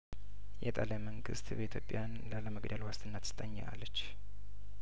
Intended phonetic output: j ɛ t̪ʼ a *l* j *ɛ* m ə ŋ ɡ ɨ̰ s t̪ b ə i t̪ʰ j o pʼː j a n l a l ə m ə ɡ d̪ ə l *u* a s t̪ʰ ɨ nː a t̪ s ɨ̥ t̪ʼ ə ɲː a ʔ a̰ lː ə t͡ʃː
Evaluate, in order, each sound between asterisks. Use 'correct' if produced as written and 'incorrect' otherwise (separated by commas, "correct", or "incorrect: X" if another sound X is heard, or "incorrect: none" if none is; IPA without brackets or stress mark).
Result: correct, incorrect: a, incorrect: w